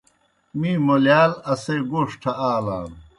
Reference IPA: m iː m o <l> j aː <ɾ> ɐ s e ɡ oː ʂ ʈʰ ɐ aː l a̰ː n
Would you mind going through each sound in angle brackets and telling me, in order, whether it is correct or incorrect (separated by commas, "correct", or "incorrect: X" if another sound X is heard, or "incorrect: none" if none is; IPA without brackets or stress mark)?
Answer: correct, incorrect: l